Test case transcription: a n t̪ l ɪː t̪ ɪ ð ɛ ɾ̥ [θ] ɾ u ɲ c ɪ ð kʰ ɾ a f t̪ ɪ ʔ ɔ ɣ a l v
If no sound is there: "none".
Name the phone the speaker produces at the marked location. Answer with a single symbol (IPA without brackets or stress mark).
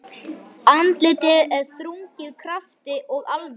θ